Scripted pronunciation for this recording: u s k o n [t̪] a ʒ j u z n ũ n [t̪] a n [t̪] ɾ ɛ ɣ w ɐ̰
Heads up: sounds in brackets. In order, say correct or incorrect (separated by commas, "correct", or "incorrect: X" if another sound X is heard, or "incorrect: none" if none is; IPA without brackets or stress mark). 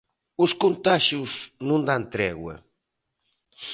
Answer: correct, incorrect: d̪, correct